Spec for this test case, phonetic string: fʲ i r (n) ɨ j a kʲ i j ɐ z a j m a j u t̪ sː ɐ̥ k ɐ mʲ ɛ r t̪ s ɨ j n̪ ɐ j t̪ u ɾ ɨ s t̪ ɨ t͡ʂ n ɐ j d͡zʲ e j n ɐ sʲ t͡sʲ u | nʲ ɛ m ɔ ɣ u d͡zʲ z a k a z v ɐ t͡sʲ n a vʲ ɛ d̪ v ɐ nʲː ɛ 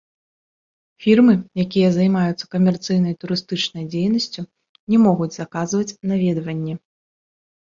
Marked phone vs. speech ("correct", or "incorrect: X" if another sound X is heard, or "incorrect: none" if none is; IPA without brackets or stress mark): incorrect: m